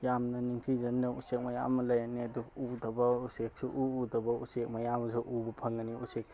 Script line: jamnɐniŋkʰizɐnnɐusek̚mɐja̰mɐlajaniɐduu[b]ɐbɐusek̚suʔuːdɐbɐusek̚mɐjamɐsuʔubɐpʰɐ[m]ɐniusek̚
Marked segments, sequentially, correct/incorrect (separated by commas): incorrect, incorrect